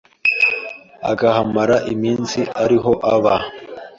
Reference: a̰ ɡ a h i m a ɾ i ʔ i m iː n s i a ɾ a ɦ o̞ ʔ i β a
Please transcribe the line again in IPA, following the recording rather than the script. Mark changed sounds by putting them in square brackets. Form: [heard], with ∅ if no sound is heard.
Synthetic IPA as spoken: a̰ ɡ a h [a] m a ɾ [a] ʔ i m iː n s i a ɾ [i] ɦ o̞ ʔ [a] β a